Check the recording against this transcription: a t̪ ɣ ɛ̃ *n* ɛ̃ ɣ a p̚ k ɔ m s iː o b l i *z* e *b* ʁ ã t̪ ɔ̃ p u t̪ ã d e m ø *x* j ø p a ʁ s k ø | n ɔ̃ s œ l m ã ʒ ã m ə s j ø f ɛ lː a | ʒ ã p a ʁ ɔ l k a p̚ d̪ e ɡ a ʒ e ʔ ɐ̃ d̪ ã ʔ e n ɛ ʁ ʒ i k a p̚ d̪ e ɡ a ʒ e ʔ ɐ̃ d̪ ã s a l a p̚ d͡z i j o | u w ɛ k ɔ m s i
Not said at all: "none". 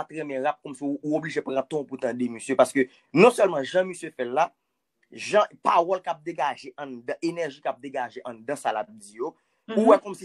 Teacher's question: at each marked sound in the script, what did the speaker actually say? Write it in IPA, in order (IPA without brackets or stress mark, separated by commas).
m, ʒ, p, s